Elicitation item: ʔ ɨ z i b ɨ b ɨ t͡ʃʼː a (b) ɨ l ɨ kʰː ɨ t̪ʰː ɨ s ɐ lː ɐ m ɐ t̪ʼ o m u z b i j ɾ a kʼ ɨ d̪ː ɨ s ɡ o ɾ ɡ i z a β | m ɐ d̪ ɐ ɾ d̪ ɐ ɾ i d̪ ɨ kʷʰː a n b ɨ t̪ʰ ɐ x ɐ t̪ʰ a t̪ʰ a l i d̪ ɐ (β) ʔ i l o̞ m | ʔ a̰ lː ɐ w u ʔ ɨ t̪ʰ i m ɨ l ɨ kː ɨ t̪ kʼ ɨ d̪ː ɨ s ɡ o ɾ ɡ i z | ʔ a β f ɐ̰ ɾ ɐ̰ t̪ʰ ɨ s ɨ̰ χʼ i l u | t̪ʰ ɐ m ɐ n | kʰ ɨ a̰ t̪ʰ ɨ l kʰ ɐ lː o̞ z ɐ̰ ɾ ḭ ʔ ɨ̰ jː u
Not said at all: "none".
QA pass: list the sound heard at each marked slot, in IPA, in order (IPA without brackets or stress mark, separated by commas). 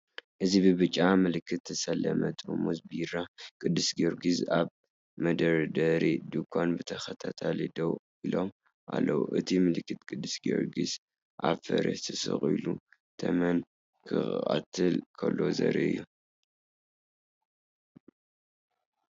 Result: m, w